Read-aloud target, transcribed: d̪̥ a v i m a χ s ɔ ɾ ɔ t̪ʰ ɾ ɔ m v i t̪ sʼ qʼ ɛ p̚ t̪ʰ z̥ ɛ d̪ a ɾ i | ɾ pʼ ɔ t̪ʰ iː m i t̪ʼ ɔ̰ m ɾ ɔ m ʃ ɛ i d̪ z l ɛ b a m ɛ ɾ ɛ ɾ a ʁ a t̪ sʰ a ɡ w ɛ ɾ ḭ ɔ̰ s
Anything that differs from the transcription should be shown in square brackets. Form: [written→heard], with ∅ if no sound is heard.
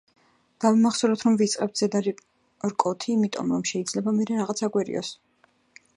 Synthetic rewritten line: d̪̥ a v i m a χ s ɔ ɾ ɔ t̪ʰ ɾ ɔ m v i t̪ sʼ qʼ ɛ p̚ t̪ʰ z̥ ɛ d̪ a ɾ i | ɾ [pʼ→kʼ] ɔ t̪ʰ iː m i t̪ʼ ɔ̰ m ɾ ɔ m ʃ ɛ i d̪ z l ɛ b a m ɛ ɾ ɛ ɾ a ʁ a t̪ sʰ a ɡ w ɛ ɾ ḭ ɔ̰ s